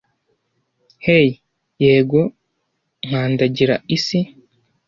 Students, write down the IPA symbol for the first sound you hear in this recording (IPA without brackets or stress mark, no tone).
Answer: h